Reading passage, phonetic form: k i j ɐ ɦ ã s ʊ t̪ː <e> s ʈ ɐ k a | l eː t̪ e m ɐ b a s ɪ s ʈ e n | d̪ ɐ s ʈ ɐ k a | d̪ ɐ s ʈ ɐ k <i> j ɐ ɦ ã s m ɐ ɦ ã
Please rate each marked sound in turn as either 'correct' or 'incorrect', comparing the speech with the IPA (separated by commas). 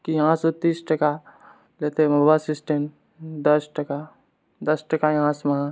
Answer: incorrect, incorrect